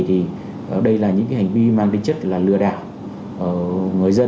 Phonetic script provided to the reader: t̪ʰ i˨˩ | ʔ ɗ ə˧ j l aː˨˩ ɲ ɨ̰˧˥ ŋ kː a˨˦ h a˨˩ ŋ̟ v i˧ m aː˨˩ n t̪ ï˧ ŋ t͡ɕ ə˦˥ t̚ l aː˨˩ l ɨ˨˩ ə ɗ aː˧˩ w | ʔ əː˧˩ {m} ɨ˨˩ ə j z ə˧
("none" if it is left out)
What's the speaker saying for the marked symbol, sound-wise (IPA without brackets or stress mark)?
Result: ŋ